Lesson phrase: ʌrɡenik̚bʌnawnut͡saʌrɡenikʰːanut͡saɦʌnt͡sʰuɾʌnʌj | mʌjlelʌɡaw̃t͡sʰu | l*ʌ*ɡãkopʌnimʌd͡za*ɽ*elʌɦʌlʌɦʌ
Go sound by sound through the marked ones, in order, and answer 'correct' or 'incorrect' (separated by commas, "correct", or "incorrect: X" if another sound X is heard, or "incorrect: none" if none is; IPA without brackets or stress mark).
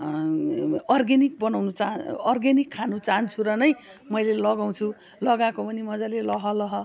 correct, incorrect: l